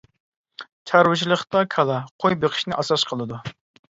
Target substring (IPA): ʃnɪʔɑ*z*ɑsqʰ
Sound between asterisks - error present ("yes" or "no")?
yes